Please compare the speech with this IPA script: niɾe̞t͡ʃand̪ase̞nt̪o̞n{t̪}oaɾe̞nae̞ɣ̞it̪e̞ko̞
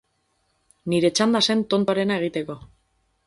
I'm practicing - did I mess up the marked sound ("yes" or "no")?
no